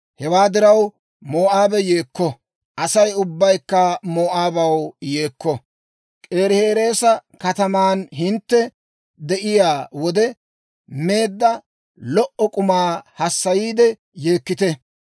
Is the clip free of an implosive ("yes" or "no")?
yes